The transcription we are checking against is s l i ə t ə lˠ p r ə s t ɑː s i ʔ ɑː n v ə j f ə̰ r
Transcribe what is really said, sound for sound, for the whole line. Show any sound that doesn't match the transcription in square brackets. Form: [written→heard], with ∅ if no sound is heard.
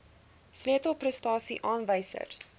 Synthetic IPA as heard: s l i ə t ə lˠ p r ə s t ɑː s i ʔ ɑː n v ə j [f→s] ə̰ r

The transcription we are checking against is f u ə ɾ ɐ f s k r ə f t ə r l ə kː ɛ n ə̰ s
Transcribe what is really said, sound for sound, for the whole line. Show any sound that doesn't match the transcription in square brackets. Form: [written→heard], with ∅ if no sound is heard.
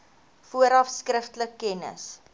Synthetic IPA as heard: f u ə ɾ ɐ f s k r ə f t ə [r→∅] l ə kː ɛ n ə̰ s

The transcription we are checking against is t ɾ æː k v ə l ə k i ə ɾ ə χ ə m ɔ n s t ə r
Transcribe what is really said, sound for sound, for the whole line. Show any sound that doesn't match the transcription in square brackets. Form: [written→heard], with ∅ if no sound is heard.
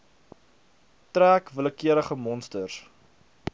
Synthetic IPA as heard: t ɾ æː k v ə l ə k i ə ɾ ə χ ə m ɔ n s t ə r

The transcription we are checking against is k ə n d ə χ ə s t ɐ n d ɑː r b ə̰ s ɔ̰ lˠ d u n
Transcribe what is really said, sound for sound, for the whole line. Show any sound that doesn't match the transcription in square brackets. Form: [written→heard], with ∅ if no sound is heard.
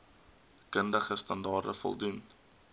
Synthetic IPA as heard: k ə n d ə χ ə s t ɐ n d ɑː r [b→d] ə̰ [s→f] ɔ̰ lˠ d u n

